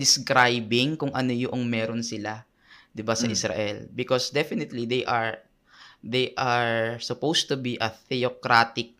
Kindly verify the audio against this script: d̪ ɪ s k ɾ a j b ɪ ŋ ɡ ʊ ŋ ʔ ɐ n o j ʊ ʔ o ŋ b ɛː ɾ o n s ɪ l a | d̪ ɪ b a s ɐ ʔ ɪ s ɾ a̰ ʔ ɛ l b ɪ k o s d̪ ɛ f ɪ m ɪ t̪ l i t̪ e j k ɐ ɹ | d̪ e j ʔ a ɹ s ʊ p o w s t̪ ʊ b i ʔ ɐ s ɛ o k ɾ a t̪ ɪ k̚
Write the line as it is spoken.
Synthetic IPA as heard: d̪ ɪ s k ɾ a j b ɪ ŋ k ʊ ŋ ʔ ɐ n o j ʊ ʔ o ŋ m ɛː ɾ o n s ɪ l a | d̪ ɪ b a s ɐ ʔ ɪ s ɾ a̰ ʔ ɛ l b ɪ k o s d̪ ɛ f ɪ n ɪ t̪ l i d̪ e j ʔ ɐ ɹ | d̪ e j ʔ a ɹ s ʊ p o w s t̪ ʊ b i ʔ ɐ θ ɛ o k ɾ a t̪ ɪ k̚